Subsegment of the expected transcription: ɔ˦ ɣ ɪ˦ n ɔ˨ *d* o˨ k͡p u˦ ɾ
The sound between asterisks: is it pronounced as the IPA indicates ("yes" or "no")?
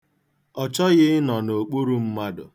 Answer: no